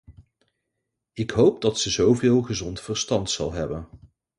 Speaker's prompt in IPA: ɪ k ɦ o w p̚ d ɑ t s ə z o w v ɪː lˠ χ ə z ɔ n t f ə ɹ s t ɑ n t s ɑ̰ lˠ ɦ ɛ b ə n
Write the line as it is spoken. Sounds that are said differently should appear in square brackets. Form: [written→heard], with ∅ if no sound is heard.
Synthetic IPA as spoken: ɪ k ɦ o w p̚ d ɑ t s ə z o w v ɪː lˠ χ ə z ɔ n t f ə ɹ s t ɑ n t s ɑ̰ lˠ ɦ ɛ b ə n